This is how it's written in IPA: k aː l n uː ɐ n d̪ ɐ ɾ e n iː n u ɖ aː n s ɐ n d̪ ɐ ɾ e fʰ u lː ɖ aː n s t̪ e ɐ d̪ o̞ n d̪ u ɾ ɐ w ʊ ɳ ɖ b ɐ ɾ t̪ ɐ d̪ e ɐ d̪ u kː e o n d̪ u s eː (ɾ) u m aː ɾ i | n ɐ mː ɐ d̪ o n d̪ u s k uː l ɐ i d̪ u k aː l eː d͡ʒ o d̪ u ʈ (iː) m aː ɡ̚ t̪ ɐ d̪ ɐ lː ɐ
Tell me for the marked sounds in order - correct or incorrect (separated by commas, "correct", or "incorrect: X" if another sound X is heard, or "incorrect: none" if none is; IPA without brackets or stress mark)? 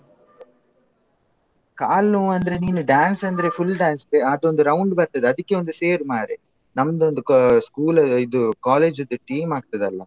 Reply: correct, correct